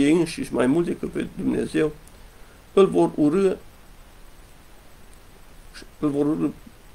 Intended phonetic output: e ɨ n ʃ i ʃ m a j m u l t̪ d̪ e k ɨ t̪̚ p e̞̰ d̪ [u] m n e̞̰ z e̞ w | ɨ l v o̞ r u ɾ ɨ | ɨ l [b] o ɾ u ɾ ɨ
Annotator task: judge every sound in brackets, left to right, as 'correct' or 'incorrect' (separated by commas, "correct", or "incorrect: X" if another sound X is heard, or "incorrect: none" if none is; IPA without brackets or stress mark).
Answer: correct, incorrect: v